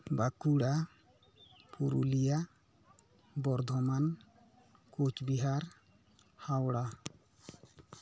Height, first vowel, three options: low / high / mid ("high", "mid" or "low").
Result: low